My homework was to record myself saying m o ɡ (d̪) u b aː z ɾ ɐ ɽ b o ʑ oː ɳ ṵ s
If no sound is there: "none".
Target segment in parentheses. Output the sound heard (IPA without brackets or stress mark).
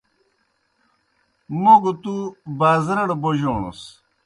t̪